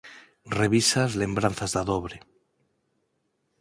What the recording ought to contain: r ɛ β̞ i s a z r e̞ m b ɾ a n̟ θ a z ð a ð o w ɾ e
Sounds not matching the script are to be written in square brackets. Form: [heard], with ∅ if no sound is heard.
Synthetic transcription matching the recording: r [e] β̞ i s a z [l] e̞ m b ɾ a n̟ θ a z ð a ð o [β] ɾ e